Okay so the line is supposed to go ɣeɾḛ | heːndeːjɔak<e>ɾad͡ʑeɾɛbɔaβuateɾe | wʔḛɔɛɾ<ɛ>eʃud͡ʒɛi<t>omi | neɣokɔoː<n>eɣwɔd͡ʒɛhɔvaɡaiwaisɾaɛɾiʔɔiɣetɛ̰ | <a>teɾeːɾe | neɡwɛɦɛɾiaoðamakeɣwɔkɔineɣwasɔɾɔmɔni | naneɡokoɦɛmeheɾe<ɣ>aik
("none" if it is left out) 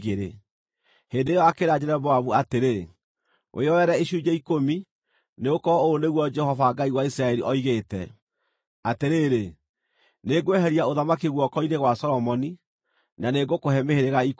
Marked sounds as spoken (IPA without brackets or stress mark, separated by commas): e, ɛ, k, n, a, ɣ